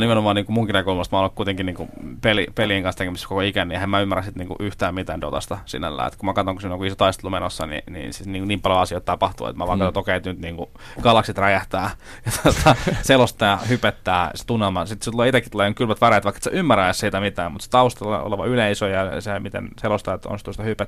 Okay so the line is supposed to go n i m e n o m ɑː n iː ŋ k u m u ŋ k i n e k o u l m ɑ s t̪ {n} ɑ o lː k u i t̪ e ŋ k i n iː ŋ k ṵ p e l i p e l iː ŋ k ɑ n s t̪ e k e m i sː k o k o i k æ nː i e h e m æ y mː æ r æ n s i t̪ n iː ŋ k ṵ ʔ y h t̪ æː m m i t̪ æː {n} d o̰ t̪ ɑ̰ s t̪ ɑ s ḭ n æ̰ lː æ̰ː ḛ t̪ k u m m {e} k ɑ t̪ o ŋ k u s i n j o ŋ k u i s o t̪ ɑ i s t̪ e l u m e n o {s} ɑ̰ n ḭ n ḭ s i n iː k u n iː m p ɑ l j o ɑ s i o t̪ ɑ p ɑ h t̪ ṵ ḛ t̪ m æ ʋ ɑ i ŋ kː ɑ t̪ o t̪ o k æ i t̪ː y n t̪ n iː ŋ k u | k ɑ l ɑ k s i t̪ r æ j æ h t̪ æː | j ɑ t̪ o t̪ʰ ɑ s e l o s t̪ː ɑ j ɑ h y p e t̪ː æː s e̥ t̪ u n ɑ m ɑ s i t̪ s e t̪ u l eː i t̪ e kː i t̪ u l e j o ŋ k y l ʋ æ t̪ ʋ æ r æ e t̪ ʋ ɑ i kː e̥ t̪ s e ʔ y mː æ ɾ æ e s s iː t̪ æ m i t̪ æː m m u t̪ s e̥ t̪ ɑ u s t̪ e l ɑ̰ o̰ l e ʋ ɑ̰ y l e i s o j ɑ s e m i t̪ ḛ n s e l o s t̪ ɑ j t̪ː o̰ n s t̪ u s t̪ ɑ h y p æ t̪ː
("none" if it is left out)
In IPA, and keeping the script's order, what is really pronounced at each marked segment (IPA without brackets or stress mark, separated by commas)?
m, n, æ, sː